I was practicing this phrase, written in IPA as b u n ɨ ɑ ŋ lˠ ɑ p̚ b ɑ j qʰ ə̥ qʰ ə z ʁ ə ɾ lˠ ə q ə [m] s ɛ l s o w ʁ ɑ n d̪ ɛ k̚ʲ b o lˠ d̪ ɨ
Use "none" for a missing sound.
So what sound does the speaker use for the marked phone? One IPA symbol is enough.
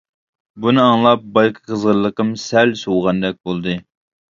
m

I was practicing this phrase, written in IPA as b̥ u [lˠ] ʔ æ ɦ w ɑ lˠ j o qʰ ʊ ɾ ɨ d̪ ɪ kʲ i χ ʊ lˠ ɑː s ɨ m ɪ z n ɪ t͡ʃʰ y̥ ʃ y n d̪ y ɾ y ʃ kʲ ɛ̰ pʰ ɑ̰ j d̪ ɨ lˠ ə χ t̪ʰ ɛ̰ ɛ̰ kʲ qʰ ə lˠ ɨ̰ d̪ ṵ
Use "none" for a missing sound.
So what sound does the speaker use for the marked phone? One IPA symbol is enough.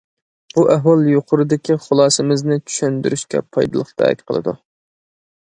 none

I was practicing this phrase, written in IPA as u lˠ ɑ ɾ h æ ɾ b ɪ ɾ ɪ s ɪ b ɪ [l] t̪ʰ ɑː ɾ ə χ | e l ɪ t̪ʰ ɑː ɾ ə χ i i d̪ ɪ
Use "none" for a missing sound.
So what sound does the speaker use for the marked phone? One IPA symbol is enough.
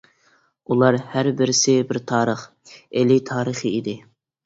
ɾ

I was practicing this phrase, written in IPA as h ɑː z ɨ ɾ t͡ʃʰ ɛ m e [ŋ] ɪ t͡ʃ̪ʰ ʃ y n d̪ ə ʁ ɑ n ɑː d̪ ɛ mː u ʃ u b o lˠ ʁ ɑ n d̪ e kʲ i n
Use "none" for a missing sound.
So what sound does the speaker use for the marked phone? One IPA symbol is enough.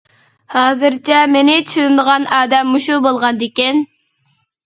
n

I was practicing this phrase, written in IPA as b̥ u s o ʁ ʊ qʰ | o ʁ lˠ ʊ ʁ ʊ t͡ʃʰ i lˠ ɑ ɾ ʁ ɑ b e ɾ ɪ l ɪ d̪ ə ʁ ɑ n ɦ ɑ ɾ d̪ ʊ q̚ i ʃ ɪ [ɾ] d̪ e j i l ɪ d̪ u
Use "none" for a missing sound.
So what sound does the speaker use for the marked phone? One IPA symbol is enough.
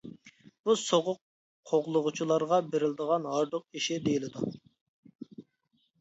none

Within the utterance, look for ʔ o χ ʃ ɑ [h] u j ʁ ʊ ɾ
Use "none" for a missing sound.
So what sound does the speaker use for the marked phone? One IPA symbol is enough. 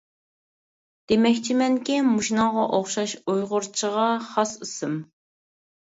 ʃ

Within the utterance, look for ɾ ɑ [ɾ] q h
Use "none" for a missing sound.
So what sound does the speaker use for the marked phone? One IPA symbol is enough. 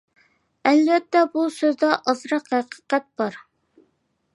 none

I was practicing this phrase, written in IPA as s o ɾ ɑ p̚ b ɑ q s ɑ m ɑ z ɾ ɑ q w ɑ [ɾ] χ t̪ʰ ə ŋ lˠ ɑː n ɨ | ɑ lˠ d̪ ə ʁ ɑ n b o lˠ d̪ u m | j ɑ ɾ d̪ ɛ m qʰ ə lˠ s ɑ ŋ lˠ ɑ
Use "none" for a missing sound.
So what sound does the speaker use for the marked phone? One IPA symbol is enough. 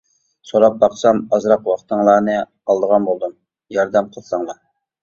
none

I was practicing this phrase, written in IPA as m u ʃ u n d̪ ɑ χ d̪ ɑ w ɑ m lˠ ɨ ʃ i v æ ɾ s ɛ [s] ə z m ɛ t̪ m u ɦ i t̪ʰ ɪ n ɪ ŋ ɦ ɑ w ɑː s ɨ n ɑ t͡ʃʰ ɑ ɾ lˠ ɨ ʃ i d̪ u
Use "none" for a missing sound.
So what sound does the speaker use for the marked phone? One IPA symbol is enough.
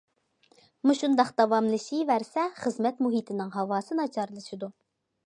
χ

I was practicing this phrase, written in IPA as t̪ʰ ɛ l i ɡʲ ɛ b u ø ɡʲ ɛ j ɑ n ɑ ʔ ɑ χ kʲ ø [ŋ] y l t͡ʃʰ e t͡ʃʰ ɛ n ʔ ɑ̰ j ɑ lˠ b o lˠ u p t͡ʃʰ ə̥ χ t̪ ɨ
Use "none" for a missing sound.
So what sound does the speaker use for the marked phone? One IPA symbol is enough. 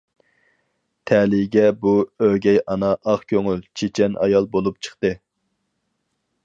ŋ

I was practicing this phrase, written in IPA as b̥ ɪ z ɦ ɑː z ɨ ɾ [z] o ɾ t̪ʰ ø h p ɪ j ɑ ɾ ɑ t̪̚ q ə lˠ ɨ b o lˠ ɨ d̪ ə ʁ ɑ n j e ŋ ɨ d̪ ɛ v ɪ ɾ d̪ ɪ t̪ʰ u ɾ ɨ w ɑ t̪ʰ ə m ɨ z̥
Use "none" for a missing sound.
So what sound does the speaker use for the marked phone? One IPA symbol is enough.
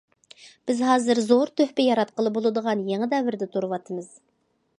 z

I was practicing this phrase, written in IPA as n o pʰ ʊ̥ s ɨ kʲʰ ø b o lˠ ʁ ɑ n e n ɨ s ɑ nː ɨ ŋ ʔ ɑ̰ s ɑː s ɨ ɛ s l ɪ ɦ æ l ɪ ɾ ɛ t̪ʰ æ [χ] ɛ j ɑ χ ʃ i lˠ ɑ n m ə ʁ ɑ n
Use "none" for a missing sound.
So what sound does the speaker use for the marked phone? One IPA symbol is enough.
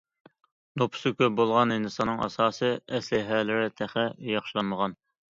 χ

